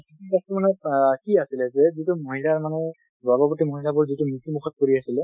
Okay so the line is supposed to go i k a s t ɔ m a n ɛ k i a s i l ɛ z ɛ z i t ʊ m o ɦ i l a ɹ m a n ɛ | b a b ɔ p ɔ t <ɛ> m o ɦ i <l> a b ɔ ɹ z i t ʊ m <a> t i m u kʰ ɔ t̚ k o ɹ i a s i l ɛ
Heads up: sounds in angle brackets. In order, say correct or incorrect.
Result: incorrect: i, correct, incorrect: i

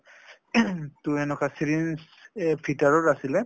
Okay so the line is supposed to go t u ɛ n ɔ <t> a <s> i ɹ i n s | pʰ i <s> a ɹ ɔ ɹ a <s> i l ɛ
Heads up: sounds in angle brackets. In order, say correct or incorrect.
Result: incorrect: k, correct, incorrect: t, correct

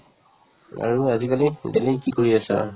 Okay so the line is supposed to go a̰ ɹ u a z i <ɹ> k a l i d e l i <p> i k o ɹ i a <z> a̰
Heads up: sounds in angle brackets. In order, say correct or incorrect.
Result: incorrect: none, incorrect: k, incorrect: s

